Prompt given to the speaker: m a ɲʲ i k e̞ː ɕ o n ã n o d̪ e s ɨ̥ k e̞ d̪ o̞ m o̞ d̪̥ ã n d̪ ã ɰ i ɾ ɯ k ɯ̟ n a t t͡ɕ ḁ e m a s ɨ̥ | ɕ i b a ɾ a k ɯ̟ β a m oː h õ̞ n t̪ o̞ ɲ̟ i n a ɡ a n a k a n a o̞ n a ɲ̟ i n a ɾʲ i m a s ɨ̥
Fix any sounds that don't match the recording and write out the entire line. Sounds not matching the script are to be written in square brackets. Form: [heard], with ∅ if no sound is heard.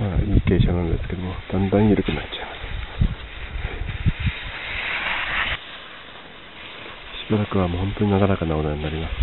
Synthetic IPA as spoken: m a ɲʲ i k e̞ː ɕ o n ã n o d̪ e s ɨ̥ k e̞ d̪ o̞ m o̞ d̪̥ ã n d̪ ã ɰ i ɾ ɯ k ɯ̟ n a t t͡ɕ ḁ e m a s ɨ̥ | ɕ i b a ɾ a k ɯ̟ β a m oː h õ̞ n t̪ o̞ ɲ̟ i n a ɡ a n a k a n a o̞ n a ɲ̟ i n a ɾʲ i m a s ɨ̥

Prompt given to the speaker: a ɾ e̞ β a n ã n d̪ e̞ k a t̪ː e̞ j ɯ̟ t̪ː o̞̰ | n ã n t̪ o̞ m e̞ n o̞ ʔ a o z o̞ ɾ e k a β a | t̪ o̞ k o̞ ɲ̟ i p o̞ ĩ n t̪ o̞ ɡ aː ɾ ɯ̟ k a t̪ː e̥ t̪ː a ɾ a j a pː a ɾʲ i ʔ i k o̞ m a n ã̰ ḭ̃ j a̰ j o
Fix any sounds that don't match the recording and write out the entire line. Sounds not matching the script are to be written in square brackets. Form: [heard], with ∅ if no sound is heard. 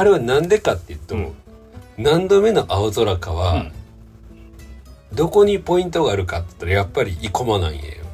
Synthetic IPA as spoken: a ɾ e̞ β a n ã n d̪ e̞ k a t̪ː e̞ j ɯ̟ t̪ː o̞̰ | n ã n [d̪] o̞ m e̞ n o̞ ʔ a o z o̞ ɾ [a] k a β a | [d̪] o̞ k o̞ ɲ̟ i p o̞ ĩ n t̪ o̞ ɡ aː ɾ ɯ̟ k a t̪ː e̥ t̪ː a ɾ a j a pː a ɾʲ i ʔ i k o̞ m a n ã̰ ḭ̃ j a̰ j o

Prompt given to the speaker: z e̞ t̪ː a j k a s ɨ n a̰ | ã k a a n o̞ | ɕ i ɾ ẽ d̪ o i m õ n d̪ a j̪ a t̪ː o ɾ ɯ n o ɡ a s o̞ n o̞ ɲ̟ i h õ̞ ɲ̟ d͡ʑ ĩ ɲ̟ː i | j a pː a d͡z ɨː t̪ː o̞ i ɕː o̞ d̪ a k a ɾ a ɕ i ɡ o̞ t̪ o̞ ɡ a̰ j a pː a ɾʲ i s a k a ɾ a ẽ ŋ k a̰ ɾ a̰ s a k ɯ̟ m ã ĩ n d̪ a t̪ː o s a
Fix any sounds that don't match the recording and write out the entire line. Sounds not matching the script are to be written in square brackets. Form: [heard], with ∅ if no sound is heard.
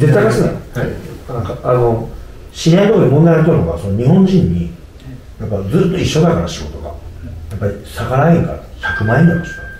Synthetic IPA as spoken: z e̞ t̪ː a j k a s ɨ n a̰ | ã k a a n o̞ | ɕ i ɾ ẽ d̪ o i m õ n d̪ a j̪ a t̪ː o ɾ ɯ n o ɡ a s o̞ n o̞ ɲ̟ i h õ̞ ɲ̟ d͡ʑ ĩ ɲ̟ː i | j a pː a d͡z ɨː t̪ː o̞ i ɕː o̞ d̪ a k a ɾ a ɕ i ɡ o̞ t̪ o̞ ɡ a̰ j a pː a ɾʲ i s a k a ɾ a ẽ ŋ k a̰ ɾ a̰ s a k ɯ̟ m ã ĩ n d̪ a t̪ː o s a

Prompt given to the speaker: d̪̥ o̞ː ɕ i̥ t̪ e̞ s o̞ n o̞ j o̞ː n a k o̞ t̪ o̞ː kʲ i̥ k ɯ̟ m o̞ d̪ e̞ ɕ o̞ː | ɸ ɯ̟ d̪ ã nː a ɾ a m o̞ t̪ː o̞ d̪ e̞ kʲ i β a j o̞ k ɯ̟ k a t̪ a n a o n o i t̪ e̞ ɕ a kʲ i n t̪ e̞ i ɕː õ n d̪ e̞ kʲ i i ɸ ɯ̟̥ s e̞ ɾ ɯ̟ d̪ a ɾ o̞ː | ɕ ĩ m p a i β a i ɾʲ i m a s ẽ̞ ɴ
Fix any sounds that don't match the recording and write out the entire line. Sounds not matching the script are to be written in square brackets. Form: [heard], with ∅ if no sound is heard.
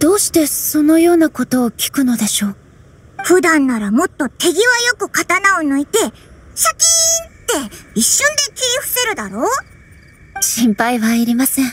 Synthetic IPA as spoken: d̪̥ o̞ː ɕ i̥ t̪ e̞ s o̞ n o̞ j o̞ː n a k o̞ t̪ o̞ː kʲ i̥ k ɯ̟ [n] o̞ d̪ e̞ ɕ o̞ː | ɸ ɯ̟ d̪ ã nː a ɾ a m o̞ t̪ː o̞ [t̪] e̞ [ɡʲ] i β a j o̞ k ɯ̟ k a t̪ a n a o n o i t̪ e̞ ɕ a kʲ i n t̪ e̞ i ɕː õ n d̪ e̞ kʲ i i ɸ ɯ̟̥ s e̞ ɾ ɯ̟ d̪ a ɾ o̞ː | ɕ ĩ m p a i β a i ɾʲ i m a s ẽ̞ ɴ

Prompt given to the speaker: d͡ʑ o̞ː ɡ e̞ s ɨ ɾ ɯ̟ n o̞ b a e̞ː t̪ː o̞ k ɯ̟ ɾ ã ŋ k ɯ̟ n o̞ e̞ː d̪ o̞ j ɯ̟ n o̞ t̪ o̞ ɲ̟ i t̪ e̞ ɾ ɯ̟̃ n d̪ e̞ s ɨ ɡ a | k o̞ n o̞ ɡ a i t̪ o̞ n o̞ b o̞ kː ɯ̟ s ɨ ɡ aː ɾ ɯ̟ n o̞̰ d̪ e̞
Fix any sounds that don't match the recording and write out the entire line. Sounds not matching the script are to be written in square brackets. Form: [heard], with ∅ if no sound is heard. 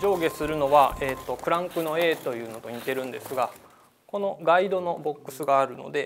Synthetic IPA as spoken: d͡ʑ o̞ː ɡ e̞ s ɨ ɾ ɯ̟ n o̞ [β] a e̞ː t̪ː o̞ k ɯ̟ ɾ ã ŋ k ɯ̟ n o̞ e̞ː [t̪] o̞ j [ɯ̟ː] n o̞ t̪ o̞ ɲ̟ i t̪ e̞ ɾ ɯ̟̃ n d̪ e̞ s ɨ ɡ a | k o̞ n o̞ ɡ a i [d̪] o̞ n o̞ b o̞ kː ɯ̟ s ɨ ɡ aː ɾ ɯ̟ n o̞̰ d̪ e̞

